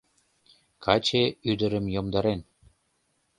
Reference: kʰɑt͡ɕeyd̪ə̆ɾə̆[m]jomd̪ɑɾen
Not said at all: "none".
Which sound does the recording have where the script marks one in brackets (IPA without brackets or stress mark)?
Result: m